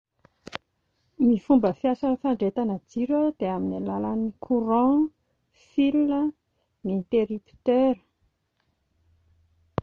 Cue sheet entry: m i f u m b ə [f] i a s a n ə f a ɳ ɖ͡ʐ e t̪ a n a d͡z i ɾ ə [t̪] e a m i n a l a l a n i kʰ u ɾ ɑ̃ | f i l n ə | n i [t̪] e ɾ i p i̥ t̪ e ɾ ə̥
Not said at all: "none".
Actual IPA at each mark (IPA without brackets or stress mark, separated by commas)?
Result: f, d̪, t̪